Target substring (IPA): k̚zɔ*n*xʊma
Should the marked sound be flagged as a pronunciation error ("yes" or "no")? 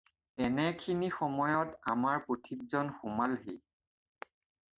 no